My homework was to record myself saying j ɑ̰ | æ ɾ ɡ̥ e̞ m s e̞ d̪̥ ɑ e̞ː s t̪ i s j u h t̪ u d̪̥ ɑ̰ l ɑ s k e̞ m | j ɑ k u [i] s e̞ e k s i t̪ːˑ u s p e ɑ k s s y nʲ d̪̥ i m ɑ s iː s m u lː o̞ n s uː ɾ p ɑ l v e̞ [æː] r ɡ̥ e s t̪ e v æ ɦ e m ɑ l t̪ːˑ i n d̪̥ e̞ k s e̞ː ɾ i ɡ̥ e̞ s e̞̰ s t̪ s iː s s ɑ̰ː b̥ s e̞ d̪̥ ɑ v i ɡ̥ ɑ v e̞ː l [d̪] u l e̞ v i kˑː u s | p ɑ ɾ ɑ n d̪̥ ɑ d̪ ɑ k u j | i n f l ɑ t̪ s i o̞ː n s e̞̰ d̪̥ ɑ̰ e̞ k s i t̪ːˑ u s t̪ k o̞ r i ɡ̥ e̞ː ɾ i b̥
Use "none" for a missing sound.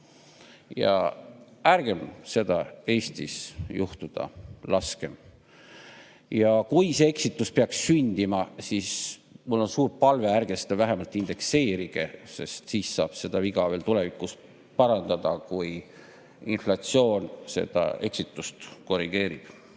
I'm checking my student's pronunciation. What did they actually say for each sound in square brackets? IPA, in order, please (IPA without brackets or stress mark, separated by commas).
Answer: j, æ, t̪